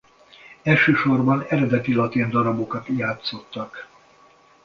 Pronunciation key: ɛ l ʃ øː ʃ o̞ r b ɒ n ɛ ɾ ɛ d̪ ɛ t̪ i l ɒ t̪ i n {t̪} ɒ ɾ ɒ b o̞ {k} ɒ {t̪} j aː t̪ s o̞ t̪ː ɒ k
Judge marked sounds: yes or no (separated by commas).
no, yes, yes